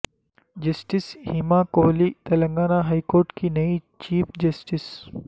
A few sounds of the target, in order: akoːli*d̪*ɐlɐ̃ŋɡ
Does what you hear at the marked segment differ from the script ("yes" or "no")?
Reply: yes